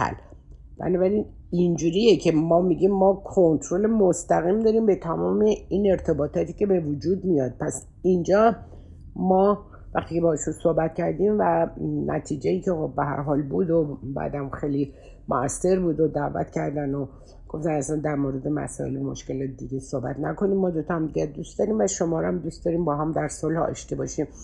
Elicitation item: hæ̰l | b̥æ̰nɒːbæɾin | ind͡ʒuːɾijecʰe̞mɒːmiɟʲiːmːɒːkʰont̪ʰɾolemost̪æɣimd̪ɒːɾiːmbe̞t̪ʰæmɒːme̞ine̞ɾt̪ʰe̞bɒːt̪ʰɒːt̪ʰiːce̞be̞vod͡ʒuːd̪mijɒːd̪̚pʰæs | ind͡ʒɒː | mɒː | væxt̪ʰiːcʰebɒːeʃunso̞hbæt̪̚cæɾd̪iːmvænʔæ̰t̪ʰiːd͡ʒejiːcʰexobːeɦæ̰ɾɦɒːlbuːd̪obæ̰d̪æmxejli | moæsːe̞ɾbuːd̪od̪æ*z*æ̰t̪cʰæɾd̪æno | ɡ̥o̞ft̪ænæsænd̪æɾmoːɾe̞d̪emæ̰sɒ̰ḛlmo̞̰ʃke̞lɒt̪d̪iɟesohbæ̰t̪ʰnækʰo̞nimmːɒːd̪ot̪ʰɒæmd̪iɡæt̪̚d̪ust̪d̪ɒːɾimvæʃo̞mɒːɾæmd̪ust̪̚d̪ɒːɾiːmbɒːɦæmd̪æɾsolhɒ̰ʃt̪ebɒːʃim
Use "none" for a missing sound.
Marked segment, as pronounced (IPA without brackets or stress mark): v